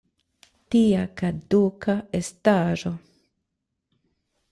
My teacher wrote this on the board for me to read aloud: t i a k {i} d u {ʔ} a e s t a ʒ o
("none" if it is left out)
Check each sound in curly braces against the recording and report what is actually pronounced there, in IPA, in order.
a, k

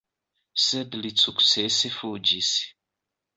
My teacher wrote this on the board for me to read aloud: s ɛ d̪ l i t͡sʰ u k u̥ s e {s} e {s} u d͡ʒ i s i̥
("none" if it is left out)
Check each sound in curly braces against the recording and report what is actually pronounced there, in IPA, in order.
s, f

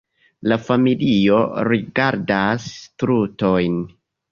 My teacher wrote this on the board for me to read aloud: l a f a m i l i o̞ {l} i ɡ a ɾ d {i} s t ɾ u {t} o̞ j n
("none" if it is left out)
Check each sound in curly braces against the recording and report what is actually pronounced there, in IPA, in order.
ɾ, a, t

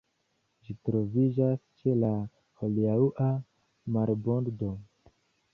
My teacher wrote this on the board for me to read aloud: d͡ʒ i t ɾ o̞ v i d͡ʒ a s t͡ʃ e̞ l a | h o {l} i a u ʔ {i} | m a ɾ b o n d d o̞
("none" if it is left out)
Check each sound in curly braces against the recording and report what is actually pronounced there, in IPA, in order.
l, a

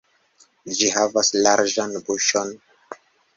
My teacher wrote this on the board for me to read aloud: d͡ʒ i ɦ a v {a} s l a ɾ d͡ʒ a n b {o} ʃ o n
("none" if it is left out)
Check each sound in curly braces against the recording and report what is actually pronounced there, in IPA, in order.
a, u

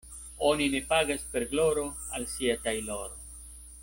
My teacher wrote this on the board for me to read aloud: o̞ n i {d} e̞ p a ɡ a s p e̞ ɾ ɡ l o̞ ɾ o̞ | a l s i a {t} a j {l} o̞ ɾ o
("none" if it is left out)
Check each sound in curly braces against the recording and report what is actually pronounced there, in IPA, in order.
n, t, l

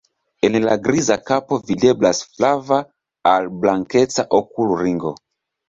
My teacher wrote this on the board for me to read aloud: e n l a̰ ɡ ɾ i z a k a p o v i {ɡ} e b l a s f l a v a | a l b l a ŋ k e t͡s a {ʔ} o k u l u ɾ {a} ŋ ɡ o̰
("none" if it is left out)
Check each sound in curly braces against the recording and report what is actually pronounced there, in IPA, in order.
d, ʔ, i

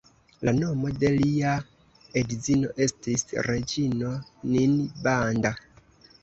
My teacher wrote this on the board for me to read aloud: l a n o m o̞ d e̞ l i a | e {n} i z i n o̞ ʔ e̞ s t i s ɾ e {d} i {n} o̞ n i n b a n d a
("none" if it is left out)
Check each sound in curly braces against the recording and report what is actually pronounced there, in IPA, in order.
d, d͡ʒ, n

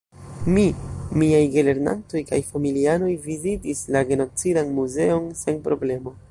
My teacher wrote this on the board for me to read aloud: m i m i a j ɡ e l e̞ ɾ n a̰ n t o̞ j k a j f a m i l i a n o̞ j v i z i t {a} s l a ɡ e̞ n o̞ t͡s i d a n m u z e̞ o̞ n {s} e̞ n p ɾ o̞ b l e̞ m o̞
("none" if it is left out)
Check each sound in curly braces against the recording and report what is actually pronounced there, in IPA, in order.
i, s

